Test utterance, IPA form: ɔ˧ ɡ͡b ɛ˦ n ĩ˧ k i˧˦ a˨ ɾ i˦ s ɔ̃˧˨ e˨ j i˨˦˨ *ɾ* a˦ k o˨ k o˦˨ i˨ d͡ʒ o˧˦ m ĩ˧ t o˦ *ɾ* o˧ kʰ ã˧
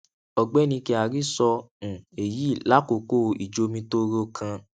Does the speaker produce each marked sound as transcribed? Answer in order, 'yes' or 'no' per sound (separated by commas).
no, yes